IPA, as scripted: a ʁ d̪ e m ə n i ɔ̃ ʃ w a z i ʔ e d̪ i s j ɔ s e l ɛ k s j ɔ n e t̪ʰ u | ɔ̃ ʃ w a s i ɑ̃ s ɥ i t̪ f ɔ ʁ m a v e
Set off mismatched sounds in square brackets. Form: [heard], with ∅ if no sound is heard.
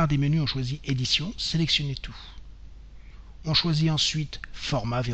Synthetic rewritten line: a ʁ d̪ e m ə n [y] ɔ̃ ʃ w a z i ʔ e d̪ i s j [ɔ̃] s e l ɛ k s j ɔ n e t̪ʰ u | ɔ̃ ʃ w a [z] i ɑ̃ s ɥ i t̪ f ɔ ʁ m a v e